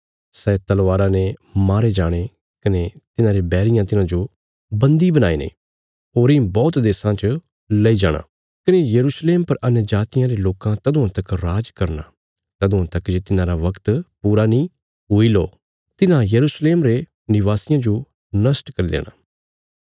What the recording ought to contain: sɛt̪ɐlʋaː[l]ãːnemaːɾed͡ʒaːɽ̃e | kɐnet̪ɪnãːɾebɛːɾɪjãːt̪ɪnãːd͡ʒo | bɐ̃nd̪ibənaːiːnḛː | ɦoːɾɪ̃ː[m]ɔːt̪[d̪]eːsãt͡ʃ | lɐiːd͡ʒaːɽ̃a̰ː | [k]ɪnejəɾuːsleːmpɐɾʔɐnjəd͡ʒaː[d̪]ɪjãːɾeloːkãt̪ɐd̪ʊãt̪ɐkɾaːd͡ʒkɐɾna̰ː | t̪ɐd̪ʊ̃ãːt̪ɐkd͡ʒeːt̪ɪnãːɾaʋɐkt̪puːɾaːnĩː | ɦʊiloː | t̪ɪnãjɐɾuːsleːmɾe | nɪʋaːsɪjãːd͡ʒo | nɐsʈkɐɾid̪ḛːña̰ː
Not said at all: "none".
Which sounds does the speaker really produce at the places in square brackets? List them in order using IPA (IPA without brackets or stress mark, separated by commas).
ɾ, b, d̪, k, t̪